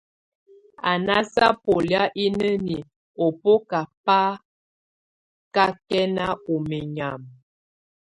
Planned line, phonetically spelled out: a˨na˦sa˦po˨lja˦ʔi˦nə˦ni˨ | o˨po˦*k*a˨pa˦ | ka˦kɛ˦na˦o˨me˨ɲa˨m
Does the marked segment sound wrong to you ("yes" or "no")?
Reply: no